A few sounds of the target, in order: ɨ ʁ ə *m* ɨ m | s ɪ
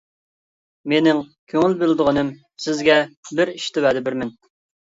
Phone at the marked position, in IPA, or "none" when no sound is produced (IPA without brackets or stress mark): n